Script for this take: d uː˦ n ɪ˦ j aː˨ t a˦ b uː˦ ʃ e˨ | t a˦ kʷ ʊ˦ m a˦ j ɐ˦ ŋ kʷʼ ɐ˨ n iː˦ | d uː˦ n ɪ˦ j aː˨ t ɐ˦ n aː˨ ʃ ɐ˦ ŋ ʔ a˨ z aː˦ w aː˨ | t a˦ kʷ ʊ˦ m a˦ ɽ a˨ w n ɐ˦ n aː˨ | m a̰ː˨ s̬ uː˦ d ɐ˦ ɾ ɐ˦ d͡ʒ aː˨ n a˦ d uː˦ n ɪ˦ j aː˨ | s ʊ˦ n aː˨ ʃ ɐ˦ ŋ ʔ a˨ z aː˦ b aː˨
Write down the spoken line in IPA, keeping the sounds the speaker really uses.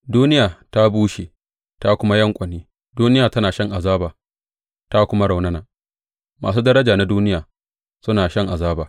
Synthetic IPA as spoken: d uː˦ n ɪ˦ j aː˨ t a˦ b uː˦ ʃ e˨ | t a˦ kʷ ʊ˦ m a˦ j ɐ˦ ŋ kʷʼ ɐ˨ n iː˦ | d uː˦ n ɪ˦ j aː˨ t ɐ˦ n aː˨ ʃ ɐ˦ ŋ ʔ a˨ z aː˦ b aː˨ | t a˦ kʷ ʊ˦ m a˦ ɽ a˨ w n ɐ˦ n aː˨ | m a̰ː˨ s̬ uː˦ d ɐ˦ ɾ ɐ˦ d͡ʒ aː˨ n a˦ d uː˦ n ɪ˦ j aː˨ | s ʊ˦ n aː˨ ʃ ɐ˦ ŋ ʔ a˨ z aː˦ b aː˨